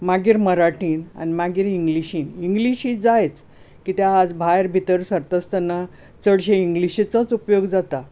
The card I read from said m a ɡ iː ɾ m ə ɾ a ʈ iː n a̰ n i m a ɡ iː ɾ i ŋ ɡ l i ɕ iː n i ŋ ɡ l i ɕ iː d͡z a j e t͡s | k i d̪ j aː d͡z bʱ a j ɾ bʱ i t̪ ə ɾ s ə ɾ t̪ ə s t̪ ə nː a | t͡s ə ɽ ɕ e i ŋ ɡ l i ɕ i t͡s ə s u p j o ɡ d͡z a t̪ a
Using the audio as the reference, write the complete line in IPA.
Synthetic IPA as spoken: m a ɡ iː ɾ m ə ɾ a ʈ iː n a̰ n i m a ɡ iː ɾ i ŋ ɡ l i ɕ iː n i ŋ ɡ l i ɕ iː d͡z a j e t͡s | k i t̪ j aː d͡z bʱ a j ɾ bʱ i t̪ ə ɾ s ə ɾ t̪ ə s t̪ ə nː a | t͡s ə ɽ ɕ e i ŋ ɡ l i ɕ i t͡s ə t͡s u p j o ɡ d͡z a t̪ a